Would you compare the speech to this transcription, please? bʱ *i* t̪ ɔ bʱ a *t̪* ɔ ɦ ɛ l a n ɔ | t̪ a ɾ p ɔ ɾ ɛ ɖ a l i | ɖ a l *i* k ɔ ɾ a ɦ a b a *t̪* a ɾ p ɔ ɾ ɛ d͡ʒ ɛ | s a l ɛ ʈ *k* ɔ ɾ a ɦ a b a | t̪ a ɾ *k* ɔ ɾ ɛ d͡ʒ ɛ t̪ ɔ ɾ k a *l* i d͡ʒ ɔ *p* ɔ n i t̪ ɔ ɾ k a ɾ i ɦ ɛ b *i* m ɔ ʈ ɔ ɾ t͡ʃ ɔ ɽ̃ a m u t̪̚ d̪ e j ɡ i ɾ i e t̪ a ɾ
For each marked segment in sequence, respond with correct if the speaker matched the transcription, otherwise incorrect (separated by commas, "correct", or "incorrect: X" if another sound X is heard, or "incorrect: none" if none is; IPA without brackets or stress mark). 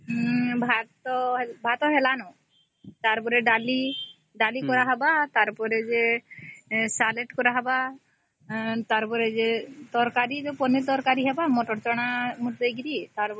incorrect: a, correct, correct, correct, correct, incorrect: p, incorrect: ɾ, correct, incorrect: a